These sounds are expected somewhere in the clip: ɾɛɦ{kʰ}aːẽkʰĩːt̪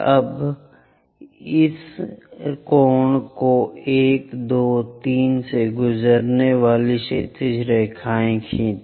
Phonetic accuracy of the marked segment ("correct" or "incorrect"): correct